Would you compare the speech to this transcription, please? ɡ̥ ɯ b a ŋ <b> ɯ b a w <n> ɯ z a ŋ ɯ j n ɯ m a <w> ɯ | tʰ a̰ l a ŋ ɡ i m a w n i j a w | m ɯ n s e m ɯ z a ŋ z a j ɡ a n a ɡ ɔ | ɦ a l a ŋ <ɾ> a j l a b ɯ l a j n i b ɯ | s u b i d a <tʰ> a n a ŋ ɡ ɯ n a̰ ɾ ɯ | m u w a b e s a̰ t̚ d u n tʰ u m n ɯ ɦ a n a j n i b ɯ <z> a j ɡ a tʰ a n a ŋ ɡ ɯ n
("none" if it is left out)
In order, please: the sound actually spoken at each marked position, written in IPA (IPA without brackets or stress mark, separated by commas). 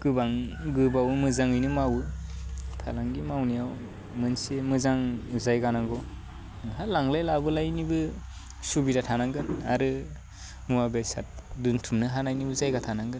ɡ, m, w, l, tʰ, z